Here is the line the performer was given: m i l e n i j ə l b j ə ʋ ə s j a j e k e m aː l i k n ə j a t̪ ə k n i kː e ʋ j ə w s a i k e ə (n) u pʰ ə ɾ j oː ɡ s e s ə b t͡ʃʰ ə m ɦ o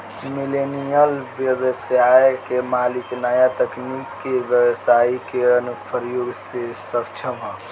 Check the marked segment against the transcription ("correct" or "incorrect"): correct